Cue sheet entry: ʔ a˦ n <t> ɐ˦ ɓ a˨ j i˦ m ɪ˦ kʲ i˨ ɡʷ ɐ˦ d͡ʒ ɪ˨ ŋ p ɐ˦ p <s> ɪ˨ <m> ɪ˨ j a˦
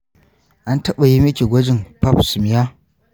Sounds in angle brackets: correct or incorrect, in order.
correct, correct, correct

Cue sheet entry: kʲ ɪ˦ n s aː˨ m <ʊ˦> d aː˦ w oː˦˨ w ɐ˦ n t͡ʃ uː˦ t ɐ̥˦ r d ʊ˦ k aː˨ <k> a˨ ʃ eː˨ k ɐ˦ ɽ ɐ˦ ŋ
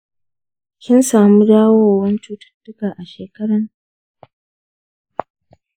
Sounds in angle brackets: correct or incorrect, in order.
incorrect: u˦, incorrect: ʔ

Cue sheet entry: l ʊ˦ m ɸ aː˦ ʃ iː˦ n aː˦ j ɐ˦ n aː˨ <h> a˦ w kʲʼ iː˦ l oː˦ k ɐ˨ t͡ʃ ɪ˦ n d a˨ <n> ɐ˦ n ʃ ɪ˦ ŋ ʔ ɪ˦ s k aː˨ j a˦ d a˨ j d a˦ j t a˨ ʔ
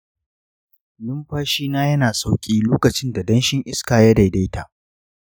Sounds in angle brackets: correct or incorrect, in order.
incorrect: s, incorrect: d

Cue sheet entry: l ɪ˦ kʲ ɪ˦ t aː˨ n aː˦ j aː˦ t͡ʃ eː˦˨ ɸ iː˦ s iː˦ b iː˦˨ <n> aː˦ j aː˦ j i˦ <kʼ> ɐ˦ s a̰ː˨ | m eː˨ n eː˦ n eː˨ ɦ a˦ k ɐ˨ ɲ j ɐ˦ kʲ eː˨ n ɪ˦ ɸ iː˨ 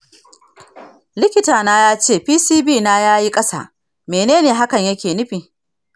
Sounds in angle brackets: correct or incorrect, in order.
correct, correct

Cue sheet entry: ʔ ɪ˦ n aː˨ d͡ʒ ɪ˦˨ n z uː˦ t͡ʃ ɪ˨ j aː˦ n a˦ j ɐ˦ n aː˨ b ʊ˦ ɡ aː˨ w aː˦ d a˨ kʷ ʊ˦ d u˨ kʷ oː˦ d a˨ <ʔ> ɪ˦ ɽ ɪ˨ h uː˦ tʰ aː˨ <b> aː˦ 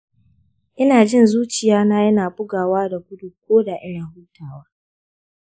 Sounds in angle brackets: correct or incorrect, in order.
correct, incorrect: w

